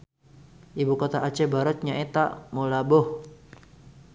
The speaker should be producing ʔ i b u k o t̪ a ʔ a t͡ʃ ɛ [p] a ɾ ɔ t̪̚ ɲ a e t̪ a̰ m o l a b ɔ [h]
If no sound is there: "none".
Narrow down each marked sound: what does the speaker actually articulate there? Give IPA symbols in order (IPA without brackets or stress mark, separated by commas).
b, h